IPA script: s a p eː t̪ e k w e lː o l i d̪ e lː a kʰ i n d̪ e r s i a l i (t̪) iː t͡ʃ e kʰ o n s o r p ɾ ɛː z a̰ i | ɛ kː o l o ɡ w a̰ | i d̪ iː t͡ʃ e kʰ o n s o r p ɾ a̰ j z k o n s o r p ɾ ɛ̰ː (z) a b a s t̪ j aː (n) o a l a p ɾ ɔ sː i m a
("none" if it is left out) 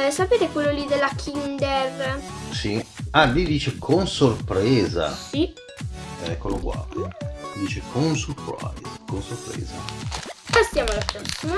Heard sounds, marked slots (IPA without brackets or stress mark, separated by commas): d̪, z, m